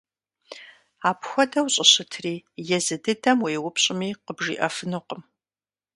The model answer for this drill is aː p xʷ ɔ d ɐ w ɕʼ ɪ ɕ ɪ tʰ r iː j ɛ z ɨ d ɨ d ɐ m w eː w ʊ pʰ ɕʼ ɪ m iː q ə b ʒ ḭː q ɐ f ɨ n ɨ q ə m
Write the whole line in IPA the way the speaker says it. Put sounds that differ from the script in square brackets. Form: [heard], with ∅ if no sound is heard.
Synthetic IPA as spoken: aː p xʷ ɔ d ɐ w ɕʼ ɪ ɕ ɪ tʰ r iː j ɛ z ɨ d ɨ d ɐ m w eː w ʊ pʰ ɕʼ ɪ m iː q ə b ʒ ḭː [ʔ] ɐ f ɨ n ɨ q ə m